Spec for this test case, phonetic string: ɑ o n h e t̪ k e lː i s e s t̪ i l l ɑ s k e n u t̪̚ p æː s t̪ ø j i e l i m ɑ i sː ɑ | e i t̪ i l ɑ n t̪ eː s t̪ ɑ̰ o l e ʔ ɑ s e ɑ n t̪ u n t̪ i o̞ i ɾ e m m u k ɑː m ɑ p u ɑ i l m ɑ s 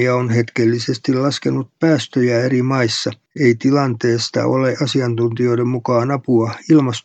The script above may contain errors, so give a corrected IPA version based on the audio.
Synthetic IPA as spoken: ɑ o n h e t̪ k e lː i s e s t̪ i l l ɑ s k e n u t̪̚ p æː s t̪ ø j æ e r i m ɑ i sː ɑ | e i t̪ i l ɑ n t̪ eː s t̪ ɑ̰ o l e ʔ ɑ s i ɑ n t̪ u n t̪ i o̞ i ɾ e m m u k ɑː n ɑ p u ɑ i l m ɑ s